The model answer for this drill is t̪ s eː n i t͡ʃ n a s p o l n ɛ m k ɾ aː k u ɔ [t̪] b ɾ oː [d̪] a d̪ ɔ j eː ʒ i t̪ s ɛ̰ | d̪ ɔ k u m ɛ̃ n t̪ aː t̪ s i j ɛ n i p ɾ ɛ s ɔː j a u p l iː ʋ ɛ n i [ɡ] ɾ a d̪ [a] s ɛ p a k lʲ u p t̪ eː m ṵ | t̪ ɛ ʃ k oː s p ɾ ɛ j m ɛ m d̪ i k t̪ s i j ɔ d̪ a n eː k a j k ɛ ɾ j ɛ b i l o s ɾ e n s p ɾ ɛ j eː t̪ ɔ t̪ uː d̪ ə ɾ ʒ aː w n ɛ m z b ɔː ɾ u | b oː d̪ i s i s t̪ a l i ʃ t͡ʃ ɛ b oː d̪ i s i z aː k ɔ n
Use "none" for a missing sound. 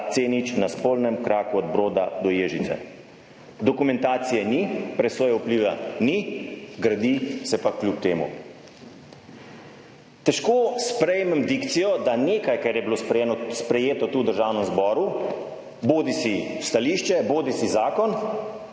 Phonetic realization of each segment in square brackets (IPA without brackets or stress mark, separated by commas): d̪, d̪, ɡ, i